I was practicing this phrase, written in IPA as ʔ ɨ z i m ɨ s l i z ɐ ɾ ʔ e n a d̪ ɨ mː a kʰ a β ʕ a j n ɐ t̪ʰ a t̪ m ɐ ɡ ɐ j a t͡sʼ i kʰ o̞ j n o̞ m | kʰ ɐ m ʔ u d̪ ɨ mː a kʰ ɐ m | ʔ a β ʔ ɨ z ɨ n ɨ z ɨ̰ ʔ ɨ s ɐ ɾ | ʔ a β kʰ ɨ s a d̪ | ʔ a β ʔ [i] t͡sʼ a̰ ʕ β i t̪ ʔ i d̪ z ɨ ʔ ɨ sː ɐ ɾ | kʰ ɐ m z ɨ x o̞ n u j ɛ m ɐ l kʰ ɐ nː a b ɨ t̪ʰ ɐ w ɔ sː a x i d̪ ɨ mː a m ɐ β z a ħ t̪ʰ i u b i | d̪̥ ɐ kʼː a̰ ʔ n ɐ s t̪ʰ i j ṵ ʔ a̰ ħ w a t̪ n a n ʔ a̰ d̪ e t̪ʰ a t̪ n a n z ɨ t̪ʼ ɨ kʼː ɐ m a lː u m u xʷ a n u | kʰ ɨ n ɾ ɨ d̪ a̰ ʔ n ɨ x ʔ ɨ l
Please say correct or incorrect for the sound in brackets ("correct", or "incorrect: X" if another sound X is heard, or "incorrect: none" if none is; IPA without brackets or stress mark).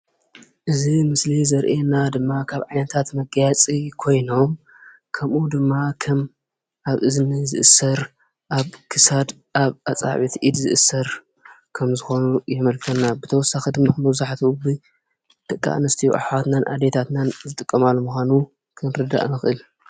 incorrect: a